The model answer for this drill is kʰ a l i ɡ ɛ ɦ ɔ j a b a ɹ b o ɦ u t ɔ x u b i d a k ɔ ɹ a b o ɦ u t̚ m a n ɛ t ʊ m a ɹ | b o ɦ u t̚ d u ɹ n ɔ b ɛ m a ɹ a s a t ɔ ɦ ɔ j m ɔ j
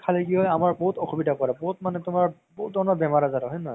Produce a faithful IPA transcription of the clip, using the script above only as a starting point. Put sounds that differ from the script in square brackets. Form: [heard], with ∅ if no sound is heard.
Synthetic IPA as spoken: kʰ a l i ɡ [i] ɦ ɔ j a [m] a ɹ b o ɦ u t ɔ x u b i d a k ɔ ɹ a b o ɦ u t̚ m a n ɛ t ʊ m a ɹ | b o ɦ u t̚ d [ɔ] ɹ n ɔ b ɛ m a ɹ a [z] a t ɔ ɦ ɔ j [n] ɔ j